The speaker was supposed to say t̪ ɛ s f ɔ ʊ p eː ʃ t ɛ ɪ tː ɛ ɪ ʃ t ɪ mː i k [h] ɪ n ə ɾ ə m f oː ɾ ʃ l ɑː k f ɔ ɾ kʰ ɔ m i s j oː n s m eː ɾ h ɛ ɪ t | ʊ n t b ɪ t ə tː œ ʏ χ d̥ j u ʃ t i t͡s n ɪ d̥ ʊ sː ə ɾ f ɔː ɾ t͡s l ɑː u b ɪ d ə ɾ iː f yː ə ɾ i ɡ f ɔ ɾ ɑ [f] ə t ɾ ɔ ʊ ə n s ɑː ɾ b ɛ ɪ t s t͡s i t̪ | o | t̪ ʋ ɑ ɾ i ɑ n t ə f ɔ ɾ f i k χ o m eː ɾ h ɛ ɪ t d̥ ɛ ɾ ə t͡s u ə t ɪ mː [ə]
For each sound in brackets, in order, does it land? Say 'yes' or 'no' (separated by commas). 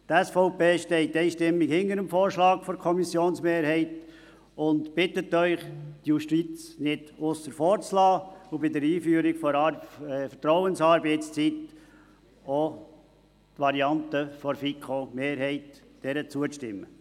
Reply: yes, yes, yes